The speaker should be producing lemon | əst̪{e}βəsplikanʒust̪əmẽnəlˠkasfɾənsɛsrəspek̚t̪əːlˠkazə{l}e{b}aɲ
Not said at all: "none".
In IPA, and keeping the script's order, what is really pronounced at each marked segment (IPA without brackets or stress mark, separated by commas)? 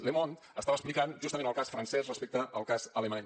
a, l, m